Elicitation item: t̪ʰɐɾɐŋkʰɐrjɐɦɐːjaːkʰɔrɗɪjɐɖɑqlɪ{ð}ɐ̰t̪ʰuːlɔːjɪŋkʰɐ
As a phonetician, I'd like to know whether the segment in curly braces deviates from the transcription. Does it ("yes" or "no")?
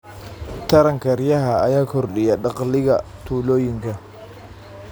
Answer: yes